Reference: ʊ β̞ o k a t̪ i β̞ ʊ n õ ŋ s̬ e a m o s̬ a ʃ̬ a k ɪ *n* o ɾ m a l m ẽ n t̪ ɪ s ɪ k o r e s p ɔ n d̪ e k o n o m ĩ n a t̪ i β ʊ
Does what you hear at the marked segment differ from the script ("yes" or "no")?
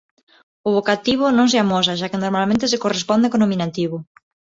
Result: no